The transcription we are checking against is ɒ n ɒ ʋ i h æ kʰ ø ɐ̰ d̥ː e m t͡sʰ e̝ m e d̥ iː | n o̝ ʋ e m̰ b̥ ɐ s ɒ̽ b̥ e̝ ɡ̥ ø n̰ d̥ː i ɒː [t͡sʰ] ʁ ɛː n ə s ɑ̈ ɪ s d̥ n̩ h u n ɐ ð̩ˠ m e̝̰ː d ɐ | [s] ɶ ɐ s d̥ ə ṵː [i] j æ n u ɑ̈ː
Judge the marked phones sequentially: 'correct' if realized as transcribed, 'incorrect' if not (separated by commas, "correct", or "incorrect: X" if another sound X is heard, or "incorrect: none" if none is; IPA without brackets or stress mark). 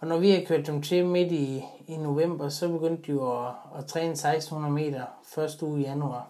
correct, incorrect: f, correct